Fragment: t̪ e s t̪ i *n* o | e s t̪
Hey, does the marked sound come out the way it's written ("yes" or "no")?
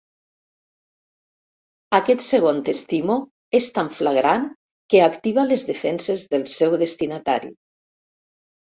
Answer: no